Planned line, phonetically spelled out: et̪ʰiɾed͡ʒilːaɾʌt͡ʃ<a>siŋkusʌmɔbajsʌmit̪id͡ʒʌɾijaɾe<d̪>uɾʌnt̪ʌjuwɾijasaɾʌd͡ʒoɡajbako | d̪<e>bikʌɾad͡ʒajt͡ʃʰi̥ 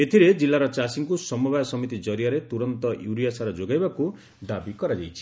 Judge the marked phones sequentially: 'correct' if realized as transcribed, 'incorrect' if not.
correct, incorrect: t̪, incorrect: a

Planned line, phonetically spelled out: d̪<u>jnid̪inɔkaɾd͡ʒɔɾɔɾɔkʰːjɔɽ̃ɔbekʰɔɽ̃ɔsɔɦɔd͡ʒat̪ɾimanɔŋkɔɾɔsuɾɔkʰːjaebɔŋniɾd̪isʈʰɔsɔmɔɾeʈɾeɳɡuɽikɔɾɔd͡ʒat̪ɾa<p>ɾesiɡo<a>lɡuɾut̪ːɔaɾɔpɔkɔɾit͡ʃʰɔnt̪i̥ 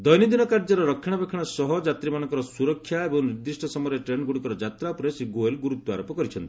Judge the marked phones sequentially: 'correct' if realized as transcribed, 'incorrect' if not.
incorrect: ɔ, correct, incorrect: e

